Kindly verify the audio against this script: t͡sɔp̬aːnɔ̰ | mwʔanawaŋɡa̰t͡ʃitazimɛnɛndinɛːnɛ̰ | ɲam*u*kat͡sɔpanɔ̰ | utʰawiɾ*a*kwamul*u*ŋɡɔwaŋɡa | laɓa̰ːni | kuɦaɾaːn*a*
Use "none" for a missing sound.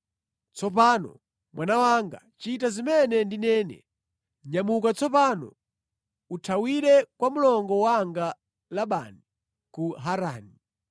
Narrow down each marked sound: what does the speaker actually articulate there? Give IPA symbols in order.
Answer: u, ɛ, ɔ, i

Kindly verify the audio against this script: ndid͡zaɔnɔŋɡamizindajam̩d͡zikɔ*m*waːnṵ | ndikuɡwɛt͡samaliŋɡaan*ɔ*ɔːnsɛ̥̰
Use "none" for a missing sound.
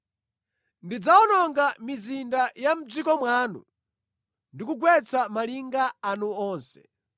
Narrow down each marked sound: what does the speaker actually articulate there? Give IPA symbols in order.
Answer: m, u

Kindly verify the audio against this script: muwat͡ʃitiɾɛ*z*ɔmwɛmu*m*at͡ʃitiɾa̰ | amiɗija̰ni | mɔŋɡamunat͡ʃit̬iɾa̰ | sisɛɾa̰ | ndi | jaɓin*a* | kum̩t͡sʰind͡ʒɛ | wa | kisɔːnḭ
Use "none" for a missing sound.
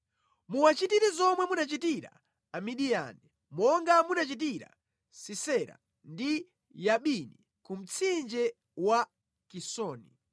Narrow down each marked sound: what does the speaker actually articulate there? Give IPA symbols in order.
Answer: z, n, i

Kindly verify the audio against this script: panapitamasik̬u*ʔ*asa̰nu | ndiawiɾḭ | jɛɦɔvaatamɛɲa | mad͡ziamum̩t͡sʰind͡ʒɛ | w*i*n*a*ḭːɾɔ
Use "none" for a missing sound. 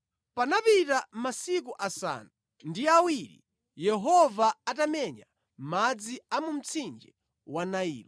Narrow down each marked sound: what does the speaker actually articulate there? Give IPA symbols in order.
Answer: ʔ, a, a

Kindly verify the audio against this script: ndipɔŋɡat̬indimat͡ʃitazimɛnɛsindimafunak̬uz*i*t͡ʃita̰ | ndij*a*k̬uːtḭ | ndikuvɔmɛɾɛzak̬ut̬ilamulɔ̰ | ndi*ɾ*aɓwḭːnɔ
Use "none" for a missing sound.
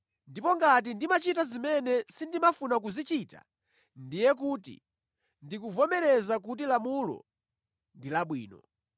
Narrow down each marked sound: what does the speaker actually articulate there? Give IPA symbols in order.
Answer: i, ɛ, l

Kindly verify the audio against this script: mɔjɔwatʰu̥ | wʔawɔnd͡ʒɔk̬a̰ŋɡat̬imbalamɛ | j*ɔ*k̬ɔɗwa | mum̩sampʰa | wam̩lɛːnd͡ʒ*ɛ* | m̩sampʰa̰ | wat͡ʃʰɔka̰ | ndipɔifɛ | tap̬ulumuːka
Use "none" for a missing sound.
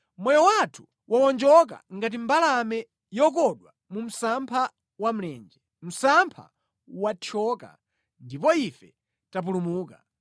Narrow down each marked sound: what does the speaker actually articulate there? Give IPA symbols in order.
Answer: ɔ, ɛ

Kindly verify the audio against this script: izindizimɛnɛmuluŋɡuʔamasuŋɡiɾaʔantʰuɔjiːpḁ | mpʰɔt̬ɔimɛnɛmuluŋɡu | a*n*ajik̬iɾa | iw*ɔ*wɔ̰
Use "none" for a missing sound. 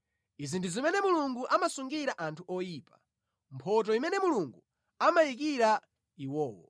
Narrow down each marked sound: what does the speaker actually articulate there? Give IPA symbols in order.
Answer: m, ɔː

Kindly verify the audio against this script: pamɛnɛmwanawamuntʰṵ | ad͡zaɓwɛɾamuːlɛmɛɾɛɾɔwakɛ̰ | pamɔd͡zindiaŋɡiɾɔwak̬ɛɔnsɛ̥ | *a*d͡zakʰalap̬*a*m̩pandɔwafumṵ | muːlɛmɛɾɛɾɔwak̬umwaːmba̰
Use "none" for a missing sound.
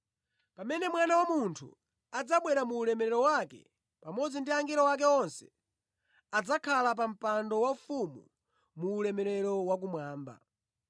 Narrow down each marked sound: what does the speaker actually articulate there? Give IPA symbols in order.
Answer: a, a

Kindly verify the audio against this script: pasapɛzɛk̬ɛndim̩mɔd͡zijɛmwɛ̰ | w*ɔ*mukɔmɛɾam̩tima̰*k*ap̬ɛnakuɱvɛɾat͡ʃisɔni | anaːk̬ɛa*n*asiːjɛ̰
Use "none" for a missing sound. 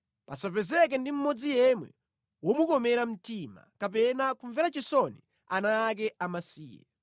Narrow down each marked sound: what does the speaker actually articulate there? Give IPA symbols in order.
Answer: ɔ, k, m

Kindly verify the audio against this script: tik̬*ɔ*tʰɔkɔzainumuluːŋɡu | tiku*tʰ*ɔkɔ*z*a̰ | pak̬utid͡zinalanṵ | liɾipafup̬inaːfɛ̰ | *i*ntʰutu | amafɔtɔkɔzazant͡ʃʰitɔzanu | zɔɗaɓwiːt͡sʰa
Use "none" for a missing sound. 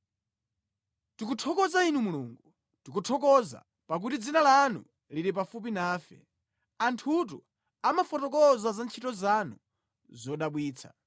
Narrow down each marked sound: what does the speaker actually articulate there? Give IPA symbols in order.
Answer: u, tʰ, z, a

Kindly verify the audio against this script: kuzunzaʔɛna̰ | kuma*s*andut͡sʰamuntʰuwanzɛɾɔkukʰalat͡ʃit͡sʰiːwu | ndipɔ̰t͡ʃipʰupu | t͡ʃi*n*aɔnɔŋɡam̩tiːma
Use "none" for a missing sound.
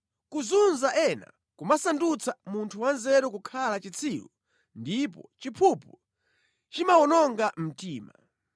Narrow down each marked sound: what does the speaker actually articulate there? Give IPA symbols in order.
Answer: s, m

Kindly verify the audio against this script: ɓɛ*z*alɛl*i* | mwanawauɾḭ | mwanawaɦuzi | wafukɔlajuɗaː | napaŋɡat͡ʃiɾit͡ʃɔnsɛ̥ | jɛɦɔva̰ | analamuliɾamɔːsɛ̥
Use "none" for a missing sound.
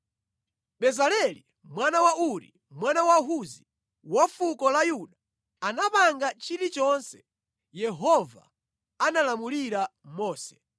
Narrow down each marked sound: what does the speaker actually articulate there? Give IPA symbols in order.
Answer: z, i

